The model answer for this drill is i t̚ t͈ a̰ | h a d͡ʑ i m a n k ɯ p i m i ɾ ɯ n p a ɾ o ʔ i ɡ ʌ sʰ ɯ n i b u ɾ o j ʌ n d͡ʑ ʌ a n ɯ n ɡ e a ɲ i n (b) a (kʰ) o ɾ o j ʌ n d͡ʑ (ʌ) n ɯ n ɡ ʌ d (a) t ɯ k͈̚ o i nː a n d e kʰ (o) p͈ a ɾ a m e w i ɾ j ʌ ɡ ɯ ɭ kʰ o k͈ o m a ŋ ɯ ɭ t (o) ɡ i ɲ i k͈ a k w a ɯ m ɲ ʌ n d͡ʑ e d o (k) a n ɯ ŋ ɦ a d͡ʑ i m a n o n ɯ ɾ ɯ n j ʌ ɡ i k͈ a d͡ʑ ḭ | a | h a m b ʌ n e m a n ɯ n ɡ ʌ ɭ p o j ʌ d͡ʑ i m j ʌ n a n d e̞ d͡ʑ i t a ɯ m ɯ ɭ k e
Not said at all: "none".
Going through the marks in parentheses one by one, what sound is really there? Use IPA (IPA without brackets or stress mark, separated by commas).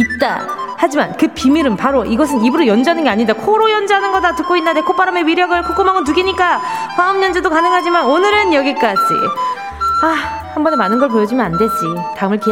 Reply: d, kʰ, a, a, o, u, k